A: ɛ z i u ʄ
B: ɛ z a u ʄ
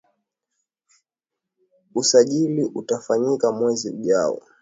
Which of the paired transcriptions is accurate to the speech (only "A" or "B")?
A